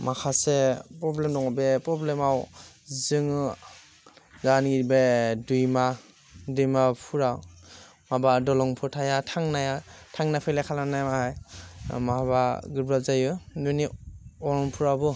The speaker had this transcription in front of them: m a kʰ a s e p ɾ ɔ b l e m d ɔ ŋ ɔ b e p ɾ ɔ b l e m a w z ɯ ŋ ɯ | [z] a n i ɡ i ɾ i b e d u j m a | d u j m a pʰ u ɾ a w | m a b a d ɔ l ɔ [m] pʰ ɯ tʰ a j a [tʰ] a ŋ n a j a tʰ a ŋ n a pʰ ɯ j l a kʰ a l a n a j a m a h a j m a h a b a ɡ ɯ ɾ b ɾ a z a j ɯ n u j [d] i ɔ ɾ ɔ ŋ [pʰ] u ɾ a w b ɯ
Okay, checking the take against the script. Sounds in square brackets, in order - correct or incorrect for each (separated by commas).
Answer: correct, incorrect, correct, incorrect, correct